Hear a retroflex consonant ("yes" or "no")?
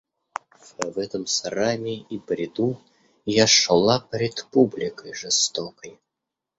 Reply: yes